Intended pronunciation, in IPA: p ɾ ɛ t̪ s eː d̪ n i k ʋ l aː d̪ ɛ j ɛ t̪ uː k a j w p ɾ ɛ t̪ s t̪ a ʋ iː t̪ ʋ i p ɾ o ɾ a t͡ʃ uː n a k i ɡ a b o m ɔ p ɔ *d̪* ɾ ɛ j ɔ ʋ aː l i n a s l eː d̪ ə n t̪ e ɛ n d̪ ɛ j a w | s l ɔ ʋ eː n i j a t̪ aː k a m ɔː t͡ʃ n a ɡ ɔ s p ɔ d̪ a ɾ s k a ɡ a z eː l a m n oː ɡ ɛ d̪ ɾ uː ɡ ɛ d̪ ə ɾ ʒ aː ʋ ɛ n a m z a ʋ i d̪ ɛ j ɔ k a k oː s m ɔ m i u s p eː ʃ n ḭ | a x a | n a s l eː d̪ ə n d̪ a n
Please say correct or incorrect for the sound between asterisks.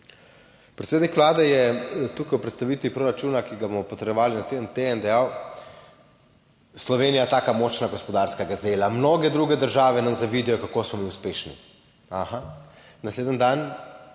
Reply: incorrect: t̪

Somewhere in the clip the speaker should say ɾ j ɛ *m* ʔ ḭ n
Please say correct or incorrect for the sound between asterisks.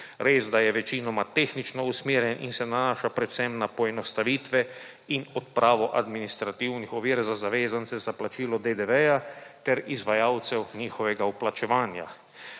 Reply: incorrect: n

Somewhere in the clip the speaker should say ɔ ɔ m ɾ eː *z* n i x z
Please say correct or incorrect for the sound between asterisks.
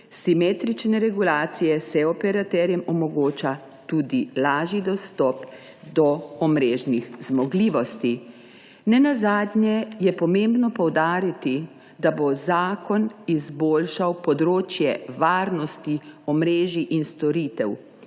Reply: incorrect: ʒ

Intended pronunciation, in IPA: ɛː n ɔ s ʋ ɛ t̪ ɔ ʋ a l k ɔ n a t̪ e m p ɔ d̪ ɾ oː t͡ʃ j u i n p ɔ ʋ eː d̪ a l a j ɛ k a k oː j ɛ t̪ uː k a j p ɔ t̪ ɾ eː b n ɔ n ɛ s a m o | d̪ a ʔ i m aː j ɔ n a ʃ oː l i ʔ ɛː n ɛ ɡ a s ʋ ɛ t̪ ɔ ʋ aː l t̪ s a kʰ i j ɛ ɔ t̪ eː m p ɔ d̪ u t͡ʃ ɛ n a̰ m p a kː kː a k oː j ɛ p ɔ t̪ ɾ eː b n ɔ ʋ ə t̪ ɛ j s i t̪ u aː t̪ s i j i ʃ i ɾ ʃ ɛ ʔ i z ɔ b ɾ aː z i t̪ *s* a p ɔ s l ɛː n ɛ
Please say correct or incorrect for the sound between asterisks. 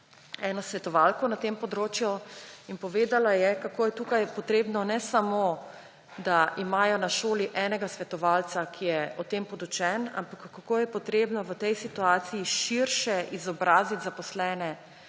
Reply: incorrect: z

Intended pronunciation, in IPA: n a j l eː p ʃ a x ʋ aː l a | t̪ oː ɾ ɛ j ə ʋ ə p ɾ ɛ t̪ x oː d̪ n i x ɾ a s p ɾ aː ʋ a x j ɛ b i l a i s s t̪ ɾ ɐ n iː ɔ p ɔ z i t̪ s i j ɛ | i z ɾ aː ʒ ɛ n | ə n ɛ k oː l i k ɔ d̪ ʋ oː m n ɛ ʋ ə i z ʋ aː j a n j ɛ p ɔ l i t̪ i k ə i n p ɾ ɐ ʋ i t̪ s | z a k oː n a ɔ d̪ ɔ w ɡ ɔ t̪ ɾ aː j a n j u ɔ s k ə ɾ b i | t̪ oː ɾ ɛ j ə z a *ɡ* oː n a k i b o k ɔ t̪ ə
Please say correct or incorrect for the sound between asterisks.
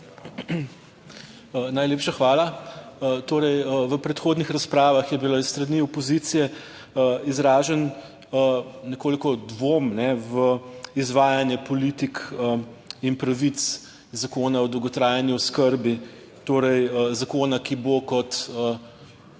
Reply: incorrect: k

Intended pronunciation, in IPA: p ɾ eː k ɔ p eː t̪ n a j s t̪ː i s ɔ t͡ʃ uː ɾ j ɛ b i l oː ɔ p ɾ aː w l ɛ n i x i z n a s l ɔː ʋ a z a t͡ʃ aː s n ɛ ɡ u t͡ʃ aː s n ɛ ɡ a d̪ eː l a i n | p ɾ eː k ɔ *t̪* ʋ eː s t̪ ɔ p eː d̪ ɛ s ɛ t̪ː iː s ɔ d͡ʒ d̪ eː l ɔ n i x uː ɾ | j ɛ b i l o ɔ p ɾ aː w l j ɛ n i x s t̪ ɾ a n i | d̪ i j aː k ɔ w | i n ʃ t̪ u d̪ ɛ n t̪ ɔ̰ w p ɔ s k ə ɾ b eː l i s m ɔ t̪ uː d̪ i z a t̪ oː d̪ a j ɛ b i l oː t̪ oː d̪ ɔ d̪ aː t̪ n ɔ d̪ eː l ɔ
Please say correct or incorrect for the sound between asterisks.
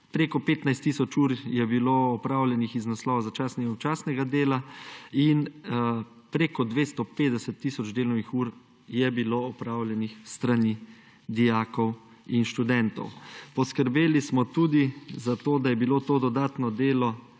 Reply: incorrect: d̪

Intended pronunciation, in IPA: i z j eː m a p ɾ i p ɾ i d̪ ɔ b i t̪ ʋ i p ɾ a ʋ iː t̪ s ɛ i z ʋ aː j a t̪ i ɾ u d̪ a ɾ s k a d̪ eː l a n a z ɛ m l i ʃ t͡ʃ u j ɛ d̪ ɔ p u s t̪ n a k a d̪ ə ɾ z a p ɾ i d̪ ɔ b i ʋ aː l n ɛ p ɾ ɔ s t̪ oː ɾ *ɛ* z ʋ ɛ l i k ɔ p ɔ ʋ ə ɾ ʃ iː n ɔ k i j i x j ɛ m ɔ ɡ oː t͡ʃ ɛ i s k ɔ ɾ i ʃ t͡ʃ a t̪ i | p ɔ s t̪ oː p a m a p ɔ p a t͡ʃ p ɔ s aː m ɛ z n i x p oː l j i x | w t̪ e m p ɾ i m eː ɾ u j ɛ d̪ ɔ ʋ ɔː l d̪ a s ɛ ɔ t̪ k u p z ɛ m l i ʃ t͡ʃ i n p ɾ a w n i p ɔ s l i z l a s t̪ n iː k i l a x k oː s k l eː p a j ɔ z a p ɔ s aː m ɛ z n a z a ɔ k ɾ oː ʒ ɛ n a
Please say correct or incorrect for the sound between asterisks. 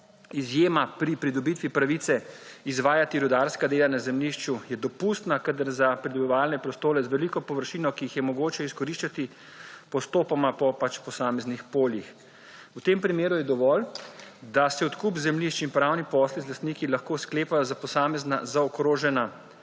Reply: correct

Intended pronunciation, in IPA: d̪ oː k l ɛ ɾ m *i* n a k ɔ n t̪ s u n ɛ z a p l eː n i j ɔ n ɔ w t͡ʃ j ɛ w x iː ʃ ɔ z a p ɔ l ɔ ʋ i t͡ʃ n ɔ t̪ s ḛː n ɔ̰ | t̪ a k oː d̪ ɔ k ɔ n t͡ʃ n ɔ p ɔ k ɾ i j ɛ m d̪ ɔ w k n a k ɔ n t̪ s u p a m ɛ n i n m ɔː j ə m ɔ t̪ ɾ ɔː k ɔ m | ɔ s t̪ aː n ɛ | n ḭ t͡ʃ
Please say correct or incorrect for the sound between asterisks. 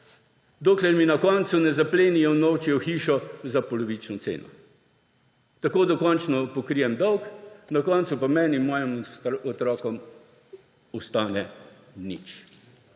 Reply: correct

